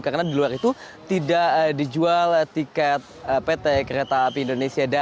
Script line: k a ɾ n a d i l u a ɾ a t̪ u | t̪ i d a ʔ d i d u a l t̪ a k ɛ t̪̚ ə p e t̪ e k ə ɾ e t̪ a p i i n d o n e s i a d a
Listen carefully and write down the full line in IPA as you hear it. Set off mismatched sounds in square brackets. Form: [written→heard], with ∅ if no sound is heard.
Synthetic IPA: k a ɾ n a d i l u a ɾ [a→i] t̪ u | t̪ i d a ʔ d i [d→d͡ʒ] u a l t̪ [a→i] k ɛ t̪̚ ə p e t̪ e k ə ɾ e t̪ a p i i n d o n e s i a d a